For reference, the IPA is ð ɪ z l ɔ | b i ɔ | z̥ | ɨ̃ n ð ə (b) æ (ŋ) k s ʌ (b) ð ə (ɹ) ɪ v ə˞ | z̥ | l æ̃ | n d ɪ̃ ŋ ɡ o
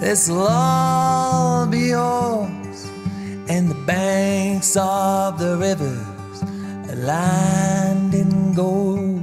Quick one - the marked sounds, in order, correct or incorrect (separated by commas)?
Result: correct, correct, incorrect, correct